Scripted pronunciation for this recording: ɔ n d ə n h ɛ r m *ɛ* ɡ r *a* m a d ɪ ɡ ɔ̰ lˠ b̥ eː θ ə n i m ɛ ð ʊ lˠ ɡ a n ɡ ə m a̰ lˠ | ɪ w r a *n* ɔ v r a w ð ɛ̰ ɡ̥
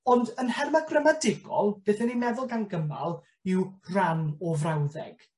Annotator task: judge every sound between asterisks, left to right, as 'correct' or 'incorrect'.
incorrect: a, incorrect: ə, correct

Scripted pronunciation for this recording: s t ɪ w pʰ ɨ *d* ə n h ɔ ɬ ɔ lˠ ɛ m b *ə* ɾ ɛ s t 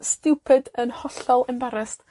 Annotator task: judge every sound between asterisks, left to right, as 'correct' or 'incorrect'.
correct, incorrect: a

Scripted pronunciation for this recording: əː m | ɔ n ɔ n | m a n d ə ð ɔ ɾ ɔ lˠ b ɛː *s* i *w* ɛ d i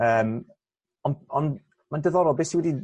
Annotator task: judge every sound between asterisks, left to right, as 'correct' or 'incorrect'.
correct, correct

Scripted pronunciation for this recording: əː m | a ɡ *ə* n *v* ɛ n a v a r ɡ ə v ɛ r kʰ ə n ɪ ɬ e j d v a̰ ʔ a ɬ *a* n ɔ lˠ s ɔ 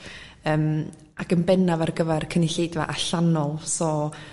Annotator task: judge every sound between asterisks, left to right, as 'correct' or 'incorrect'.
correct, incorrect: b, correct

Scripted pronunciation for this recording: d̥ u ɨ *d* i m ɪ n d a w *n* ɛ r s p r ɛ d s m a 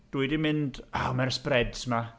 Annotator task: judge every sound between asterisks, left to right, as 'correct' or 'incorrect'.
correct, incorrect: m

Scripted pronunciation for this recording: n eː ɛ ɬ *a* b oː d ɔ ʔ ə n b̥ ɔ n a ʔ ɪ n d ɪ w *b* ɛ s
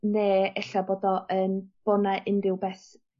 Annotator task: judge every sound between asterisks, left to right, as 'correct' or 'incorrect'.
correct, correct

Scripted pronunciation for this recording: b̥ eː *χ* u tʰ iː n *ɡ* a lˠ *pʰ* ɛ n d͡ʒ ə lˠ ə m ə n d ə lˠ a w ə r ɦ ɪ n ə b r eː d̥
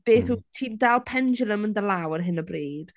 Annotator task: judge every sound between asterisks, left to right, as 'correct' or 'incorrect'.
incorrect: θ, incorrect: d, correct

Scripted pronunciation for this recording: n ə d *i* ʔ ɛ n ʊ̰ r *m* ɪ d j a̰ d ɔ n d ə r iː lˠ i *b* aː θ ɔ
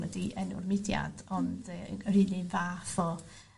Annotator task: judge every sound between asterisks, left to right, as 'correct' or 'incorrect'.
correct, correct, incorrect: v

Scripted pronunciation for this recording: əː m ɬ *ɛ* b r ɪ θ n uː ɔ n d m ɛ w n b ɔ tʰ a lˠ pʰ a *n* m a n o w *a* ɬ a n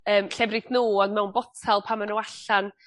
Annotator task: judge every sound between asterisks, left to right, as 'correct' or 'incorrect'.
correct, incorrect: none, correct

